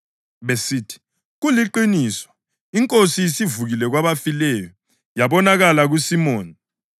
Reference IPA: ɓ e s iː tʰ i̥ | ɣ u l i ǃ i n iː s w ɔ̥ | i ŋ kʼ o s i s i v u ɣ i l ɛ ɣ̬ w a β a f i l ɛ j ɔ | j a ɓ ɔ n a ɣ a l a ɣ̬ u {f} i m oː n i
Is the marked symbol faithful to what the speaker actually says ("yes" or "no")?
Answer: no